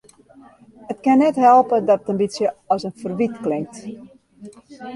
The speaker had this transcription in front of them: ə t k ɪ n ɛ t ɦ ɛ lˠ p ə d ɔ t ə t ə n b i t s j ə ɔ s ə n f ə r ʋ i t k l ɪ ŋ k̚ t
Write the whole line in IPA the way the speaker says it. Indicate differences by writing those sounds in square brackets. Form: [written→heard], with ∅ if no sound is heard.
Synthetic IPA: ə t k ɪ n ɛ t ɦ ɛ lˠ p ə d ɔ t ə t ə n b i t s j ə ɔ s ə n f ə r ʋ i t k l ɪ ŋ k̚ t